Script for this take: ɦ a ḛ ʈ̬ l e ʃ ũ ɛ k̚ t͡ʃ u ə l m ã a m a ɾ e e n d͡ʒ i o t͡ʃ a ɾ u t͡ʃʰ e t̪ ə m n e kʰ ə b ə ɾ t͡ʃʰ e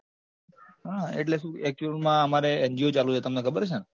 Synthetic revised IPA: ɦ a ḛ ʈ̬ l e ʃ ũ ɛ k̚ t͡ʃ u ə l m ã ə m a ɾ e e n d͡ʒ i o t͡ʃ a l u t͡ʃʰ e t̪ ə m n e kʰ ə b ə ɾ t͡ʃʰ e